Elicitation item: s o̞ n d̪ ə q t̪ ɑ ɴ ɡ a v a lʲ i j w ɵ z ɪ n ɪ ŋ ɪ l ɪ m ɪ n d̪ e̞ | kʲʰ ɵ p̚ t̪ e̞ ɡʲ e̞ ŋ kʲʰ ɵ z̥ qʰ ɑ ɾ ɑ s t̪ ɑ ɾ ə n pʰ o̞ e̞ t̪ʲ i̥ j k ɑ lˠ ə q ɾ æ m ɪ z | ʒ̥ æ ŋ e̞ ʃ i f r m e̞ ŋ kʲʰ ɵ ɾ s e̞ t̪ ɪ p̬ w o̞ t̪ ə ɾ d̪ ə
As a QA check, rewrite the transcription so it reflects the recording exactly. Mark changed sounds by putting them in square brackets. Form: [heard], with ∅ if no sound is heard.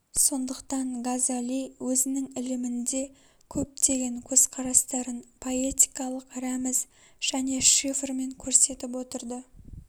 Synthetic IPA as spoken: s o̞ n d̪ ə q t̪ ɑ ɴ ɡ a [z] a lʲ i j w ɵ z ɪ n ɪ ŋ ɪ l ɪ m ɪ n d̪ e̞ | kʲʰ ɵ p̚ t̪ e̞ ɡʲ e̞ ŋ kʲʰ ɵ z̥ qʰ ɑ ɾ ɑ s t̪ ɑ ɾ ə n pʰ o̞ e̞ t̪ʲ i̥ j k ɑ lˠ ə q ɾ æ m ɪ z | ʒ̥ æ [n] e̞ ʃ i f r m e̞ ŋ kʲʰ ɵ ɾ s e̞ t̪ ɪ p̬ w o̞ t̪ ə ɾ d̪ ə